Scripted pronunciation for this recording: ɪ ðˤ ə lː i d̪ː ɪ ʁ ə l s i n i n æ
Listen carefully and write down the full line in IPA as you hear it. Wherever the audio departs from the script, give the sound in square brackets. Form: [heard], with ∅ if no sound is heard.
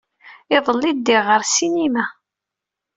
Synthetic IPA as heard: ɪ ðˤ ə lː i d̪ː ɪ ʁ ə [ɾ] s i n i [m] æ